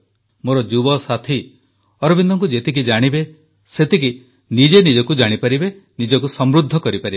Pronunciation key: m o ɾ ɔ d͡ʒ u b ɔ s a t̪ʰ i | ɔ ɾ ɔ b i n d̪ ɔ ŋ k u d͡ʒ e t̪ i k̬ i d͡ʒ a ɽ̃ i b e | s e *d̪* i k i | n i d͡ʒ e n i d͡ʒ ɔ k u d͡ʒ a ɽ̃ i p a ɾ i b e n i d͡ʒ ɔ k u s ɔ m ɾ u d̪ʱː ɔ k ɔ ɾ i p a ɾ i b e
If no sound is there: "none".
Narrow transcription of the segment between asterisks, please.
t̪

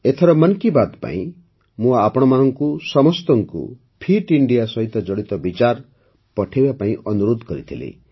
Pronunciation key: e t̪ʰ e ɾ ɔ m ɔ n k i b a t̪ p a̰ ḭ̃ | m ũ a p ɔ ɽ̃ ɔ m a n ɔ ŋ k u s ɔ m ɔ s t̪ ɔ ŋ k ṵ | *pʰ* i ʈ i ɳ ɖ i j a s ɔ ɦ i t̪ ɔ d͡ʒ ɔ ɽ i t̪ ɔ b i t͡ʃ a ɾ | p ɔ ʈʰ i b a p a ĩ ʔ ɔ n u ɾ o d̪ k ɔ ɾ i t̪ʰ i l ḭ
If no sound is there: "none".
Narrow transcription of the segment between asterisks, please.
pʰ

